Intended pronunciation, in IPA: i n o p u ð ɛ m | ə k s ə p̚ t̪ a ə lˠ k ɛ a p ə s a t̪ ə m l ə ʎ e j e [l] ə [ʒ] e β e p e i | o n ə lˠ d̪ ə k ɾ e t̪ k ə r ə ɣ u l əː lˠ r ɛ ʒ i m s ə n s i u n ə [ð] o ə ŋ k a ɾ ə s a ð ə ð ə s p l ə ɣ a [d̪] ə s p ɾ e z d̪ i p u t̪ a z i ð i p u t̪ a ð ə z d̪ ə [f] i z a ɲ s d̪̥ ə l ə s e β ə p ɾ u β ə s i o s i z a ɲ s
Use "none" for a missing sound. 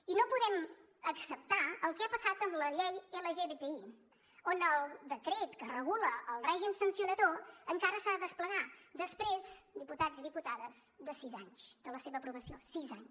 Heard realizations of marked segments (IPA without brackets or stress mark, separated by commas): l, ʒ, ð, d̪, s